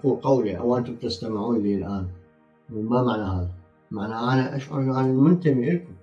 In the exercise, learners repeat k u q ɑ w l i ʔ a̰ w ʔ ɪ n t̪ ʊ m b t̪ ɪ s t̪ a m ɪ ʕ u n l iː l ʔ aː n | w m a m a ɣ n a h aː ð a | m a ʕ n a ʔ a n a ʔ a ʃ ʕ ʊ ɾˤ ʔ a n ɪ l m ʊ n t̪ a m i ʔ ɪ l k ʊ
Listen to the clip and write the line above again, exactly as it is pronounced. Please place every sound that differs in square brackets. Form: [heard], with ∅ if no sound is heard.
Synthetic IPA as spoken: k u q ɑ w l i ʔ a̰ w ʔ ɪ n t̪ ʊ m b t̪ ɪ s t̪ a m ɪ ʕ [uː] n l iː l ʔ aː n | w m a m a [ʕ] n a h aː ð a | m a ʕ n a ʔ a n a ʔ a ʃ ʕ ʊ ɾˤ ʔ a n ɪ l m ʊ n t̪ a m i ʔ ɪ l k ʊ

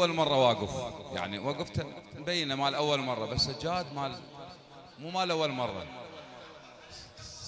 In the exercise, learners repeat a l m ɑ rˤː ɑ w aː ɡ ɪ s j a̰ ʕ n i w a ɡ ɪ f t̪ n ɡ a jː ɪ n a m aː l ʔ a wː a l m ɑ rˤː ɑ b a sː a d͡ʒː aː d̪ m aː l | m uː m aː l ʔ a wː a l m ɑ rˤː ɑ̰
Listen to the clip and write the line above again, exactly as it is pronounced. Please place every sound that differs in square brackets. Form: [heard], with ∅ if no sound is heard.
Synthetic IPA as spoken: a l m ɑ rˤː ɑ w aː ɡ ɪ [f] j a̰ ʕ n i w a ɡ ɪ f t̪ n [b] a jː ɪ n a m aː l ʔ a wː a l m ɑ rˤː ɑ b a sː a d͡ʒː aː d̪ m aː l | m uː m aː l ʔ a wː a l m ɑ rˤː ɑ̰

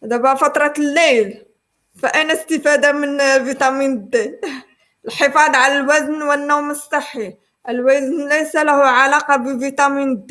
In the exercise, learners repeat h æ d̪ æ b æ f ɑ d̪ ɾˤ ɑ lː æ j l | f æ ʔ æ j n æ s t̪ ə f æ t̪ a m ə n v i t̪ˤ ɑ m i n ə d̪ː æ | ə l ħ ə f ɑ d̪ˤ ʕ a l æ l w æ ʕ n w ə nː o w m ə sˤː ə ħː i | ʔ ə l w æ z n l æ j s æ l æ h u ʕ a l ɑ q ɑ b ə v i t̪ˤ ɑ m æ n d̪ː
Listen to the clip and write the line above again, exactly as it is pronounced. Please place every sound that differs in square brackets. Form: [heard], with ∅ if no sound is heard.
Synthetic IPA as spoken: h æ d̪ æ b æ f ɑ [t̪] ɾˤ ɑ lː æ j l | f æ ʔ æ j n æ s t̪ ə f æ [d̪] a m ə n v i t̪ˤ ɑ m i n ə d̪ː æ | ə l ħ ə f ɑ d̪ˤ ʕ a l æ l w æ [z] n w ə nː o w m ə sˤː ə ħː i | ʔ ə l w æ z n l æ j s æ l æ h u ʕ a l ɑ q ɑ b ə v i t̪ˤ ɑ m [i] n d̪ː

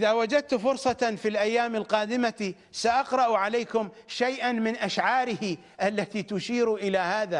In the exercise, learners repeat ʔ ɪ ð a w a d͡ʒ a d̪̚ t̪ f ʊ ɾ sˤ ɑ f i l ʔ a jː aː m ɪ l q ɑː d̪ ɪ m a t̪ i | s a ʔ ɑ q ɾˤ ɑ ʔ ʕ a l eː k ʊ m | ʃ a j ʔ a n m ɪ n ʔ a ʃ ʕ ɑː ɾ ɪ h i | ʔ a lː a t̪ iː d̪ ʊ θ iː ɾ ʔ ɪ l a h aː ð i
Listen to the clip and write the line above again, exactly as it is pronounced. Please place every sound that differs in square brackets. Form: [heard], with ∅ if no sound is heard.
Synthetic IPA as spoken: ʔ ɪ ð a w a d͡ʒ a d̪̚ t̪ f ʊ ɾ sˤ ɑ f i l ʔ a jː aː m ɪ l q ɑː d̪ ɪ m a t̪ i | s a ʔ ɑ q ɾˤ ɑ ʔ ʕ a l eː k ʊ m | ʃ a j ʔ a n m ɪ n ʔ a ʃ ʕ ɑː ɾ ɪ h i | ʔ a lː a t̪ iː [t̪] ʊ [ʃ] iː ɾ ʔ ɪ l a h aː ð [a]

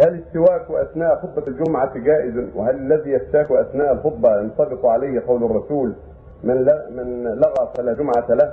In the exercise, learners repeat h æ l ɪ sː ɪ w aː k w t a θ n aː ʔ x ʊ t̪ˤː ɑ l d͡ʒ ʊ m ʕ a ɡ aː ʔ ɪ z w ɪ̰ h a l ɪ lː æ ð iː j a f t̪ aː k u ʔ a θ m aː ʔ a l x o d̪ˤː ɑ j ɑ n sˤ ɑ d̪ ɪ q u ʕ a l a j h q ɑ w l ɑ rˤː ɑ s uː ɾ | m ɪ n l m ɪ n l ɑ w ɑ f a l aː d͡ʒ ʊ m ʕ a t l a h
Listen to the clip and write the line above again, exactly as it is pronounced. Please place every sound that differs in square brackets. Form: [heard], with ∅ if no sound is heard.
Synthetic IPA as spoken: h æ l ɪ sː ɪ w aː k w [ʔ] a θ n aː ʔ x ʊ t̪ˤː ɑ l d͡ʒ ʊ m ʕ a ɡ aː ʔ ɪ z w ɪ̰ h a l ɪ lː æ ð iː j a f t̪ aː k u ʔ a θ [n] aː ʔ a l x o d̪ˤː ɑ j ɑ n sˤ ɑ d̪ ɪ q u ʕ a l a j h q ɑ w l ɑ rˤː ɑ s uː [l] | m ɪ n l m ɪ n l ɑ [ɣ] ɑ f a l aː d͡ʒ ʊ m ʕ a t l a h

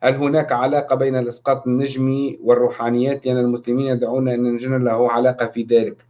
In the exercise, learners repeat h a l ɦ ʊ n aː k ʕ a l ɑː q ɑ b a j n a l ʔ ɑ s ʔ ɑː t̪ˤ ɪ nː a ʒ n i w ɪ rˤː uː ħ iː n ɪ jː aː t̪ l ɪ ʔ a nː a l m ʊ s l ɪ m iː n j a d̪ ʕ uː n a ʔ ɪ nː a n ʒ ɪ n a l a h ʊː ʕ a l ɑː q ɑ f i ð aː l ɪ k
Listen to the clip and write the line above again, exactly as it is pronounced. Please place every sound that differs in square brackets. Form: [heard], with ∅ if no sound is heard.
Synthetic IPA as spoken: h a l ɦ ʊ n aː k ʕ a l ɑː q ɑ b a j n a l ʔ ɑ s [q] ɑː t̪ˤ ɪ nː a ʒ [m] i w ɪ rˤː uː ħ [aː] n ɪ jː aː t̪ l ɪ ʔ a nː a l m ʊ s l ɪ m iː n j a d̪ ʕ uː n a ʔ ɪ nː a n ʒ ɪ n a l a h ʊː ʕ a l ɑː q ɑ f i ð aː l ɪ k

